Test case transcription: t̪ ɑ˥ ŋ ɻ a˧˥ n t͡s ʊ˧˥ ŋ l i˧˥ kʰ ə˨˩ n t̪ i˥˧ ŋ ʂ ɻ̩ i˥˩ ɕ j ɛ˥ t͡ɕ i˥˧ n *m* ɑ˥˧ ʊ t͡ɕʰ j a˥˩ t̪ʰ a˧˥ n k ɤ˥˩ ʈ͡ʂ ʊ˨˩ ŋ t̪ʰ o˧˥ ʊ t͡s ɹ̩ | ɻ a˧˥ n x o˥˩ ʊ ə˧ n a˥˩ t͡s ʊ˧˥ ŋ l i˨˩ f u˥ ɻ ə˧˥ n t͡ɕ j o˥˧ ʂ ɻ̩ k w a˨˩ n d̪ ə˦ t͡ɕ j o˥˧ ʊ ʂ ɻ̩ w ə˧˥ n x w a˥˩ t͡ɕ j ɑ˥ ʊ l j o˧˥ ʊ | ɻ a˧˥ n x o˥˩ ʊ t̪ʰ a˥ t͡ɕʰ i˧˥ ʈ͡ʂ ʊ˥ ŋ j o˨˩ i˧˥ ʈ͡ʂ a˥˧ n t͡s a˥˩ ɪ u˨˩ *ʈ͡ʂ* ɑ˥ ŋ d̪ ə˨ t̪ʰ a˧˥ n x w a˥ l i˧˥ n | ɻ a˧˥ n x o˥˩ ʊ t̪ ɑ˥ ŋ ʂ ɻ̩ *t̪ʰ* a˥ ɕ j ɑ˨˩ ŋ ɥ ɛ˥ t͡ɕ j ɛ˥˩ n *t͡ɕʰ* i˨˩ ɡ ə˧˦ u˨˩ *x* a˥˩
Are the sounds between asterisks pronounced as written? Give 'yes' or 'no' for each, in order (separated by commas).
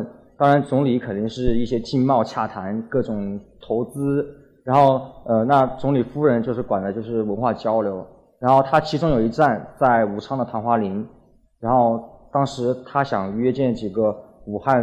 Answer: yes, no, yes, no, yes